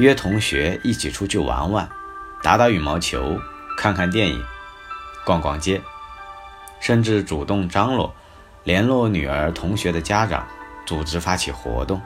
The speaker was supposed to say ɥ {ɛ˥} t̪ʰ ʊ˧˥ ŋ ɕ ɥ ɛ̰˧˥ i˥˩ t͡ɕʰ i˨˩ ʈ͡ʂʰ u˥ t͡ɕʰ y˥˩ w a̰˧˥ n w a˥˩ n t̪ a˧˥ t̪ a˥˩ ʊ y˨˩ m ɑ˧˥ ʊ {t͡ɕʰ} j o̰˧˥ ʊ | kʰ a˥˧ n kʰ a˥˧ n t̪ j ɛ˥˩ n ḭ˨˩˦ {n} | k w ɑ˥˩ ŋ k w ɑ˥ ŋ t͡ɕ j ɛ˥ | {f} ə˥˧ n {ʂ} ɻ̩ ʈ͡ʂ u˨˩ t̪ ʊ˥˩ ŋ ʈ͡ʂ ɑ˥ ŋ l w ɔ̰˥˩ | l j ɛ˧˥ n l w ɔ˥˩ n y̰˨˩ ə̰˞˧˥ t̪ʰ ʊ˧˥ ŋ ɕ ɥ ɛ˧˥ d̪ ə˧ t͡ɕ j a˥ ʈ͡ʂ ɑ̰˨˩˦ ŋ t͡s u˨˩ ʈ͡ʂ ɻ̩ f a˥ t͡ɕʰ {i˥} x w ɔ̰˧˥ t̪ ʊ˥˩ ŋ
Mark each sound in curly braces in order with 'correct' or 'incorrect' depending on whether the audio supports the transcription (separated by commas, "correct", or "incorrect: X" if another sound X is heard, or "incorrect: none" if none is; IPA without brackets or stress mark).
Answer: correct, correct, incorrect: ŋ, incorrect: ʂ, incorrect: ʈ͡ʂ, incorrect: i˨˩